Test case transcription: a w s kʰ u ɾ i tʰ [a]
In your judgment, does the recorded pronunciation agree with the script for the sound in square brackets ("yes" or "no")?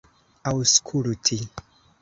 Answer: no